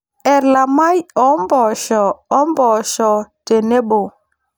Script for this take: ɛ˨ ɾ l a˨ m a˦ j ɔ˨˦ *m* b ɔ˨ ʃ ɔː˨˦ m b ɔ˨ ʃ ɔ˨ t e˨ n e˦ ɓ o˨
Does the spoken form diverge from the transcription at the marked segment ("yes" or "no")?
no